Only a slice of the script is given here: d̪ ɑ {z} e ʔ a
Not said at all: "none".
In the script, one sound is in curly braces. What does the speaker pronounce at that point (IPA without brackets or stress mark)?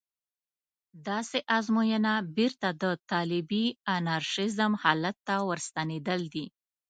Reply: s